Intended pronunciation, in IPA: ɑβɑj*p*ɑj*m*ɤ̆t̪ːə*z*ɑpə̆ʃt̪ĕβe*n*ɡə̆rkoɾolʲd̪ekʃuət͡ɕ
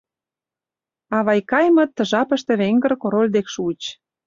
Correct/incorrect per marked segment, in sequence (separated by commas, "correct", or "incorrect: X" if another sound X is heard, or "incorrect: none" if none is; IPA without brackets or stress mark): incorrect: k, correct, incorrect: ʒ, incorrect: ŋ